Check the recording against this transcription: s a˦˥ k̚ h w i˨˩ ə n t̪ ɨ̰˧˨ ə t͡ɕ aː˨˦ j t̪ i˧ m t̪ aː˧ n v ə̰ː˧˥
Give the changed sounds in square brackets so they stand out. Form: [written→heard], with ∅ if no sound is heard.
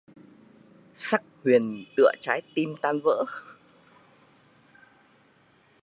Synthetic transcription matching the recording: s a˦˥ k̚ h w i˨˩ ə n t̪ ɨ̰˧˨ ə t͡ɕ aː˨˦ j t̪ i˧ m t̪ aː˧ n v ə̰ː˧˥